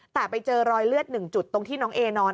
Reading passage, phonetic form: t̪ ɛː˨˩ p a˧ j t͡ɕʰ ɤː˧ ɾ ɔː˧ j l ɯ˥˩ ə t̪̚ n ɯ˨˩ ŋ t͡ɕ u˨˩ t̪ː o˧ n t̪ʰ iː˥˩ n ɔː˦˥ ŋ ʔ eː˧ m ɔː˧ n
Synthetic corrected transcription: t̪ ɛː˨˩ p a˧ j t͡ɕ ɤː˧ ɾ ɔː˧ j l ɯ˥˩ ə t̪̚ n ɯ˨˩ ŋ t͡ɕ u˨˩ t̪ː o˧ ŋ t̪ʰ iː˥˩ n ɔː˦˥ ŋ ʔ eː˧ n ɔː˧ n